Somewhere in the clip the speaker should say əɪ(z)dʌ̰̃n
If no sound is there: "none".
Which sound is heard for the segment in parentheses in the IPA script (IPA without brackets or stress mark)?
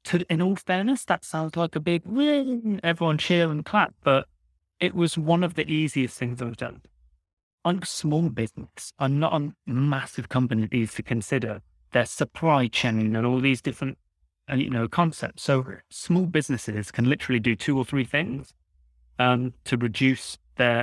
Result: v